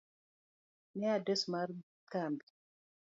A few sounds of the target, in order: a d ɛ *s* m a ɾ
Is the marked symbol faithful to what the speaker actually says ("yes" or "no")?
yes